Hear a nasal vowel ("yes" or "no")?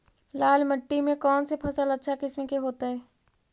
yes